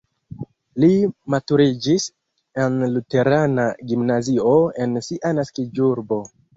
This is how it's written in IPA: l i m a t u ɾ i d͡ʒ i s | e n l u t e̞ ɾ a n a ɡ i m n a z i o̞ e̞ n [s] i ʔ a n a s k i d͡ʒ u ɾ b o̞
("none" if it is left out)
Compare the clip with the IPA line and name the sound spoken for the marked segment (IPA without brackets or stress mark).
s